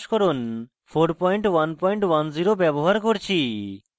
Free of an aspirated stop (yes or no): no